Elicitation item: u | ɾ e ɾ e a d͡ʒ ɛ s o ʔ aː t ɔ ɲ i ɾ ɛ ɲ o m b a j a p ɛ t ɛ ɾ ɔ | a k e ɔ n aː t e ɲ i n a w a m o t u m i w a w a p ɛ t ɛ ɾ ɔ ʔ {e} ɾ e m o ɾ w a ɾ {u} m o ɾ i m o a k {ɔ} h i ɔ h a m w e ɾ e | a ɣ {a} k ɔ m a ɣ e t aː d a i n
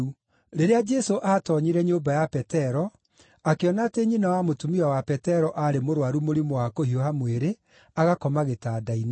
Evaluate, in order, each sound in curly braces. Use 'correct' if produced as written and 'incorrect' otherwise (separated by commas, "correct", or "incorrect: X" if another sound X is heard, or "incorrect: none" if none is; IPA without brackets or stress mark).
incorrect: a, correct, incorrect: o, correct